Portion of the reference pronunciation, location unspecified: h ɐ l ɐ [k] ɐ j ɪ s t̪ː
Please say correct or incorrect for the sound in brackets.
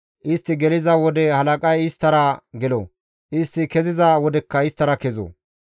incorrect